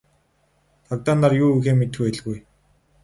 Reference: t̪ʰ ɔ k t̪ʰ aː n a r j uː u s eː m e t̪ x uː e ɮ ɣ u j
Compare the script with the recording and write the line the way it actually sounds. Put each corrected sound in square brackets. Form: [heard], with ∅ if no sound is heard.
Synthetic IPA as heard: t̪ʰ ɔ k [t̪] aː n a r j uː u [x] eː m e t̪ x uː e ɮ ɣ u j